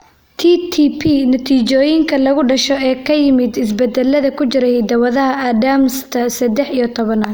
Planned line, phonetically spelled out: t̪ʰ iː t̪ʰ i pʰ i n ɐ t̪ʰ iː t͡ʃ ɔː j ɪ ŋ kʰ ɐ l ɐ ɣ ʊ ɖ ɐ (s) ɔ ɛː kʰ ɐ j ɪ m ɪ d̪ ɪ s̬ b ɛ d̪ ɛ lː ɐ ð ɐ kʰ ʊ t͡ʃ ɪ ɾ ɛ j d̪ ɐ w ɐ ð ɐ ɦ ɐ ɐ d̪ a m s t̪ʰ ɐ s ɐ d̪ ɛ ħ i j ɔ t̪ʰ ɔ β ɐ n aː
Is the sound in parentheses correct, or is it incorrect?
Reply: incorrect